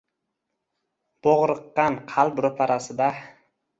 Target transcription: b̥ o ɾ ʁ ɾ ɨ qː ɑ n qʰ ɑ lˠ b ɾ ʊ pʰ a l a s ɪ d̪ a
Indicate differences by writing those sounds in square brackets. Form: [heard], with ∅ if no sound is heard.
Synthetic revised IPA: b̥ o [∅] ʁ ɾ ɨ qː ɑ n qʰ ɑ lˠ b ɾ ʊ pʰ a [ɾ] a s ɪ d̪ a